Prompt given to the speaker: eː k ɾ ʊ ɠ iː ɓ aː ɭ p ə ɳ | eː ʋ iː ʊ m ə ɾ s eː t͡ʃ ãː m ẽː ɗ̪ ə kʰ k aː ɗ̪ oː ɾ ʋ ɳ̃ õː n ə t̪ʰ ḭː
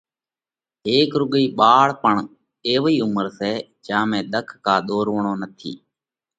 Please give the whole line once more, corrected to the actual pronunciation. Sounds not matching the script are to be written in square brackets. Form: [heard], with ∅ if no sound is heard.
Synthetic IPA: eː k ɾ ʊ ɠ iː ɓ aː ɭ p ə ɳ | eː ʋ iː ʊ m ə ɾ s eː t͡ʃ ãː m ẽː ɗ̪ ə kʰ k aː ɗ̪ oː ɾ ʋ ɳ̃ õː n ə t̪ʰ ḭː